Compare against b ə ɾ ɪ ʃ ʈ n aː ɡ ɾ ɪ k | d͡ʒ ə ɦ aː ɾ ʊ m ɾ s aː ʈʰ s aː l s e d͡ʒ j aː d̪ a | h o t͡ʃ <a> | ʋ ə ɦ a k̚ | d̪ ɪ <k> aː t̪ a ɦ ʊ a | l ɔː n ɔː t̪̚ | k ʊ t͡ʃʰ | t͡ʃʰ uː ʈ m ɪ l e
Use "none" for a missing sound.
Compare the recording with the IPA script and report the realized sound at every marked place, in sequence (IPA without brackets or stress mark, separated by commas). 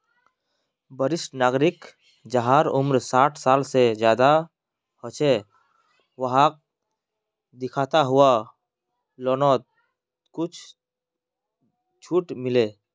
e, kʰ